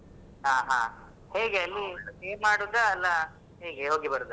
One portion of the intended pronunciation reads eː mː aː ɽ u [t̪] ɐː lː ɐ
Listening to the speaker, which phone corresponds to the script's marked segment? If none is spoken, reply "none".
d̪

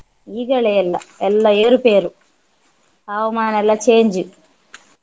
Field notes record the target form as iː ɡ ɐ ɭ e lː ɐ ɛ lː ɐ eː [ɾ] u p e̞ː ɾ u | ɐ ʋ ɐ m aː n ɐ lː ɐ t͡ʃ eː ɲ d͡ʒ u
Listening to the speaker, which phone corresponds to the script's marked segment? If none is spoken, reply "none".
ɾ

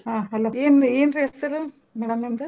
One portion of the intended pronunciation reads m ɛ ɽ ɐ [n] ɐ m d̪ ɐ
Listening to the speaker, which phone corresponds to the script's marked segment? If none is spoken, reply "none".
m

